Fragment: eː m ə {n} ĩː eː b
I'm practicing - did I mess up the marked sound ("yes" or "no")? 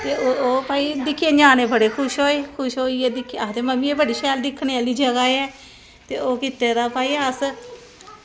yes